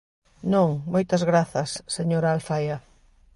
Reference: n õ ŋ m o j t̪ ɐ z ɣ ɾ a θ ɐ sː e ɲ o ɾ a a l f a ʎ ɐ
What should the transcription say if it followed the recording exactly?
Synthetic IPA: n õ ŋ m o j t̪ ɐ z ɣ ɾ a θ ɐ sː e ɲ o ɾ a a l f a j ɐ